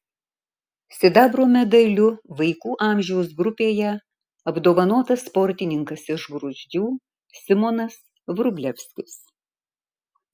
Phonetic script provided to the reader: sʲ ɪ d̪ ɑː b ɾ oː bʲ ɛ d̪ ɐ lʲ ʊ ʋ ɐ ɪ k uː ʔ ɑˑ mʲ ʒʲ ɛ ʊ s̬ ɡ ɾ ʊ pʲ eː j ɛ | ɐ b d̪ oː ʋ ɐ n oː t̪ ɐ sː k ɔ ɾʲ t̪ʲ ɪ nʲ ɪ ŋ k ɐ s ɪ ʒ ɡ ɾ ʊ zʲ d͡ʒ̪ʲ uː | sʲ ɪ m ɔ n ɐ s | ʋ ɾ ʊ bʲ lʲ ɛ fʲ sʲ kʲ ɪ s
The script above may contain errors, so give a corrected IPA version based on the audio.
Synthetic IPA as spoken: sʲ ɪ d̪ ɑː b ɾ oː mʲ ɛ d̪ ɐ lʲ ʊ ʋ ɐ ɪ k uː ʔ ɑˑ mʲ ʒʲ ɛ ʊ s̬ ɡ ɾ ʊ pʲ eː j ɛ | ɐ b d̪ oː ʋ ɐ n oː t̪ ɐ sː p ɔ ɾʲ t̪ʲ ɪ nʲ ɪ ŋ k ɐ s ɪ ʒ ɡ ɾ ʊ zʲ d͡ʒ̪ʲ uː | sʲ ɪ m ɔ n ɐ s | ʋ ɾ ʊ bʲ lʲ ɛ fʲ sʲ kʲ ɪ s